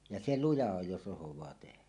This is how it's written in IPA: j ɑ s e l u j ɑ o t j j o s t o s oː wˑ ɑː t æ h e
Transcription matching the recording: j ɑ s e l u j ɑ o j j o s ʔ o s o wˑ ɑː t e h æ